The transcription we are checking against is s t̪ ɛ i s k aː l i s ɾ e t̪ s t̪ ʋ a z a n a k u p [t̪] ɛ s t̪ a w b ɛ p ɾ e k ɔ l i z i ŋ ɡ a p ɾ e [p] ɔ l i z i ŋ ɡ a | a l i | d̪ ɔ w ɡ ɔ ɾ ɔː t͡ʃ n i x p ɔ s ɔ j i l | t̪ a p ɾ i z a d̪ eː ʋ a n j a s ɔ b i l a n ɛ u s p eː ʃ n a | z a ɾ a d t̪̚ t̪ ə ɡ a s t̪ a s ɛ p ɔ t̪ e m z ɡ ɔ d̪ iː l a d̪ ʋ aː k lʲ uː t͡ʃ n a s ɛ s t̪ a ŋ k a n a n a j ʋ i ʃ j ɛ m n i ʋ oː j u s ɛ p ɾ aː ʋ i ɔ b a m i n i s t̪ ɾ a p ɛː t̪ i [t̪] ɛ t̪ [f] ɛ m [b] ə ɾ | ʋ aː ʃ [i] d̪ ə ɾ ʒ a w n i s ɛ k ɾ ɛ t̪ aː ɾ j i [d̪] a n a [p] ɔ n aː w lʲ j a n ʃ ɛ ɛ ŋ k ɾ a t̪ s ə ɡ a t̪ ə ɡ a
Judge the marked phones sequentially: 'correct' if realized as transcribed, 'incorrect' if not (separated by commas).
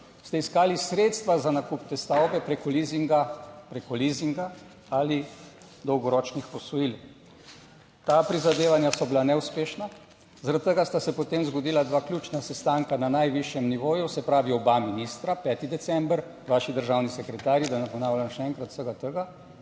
correct, incorrect, incorrect, incorrect, correct, correct, correct, correct